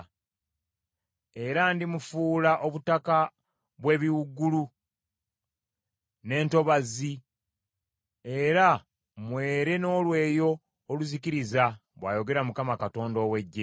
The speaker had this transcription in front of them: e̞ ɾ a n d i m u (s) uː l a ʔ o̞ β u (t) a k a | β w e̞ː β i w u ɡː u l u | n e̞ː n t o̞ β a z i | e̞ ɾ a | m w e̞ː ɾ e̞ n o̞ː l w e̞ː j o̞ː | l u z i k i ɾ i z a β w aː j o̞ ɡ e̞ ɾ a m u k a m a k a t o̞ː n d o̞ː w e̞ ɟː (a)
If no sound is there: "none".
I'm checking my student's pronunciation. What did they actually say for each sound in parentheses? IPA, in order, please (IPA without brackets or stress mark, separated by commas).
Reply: f, t, e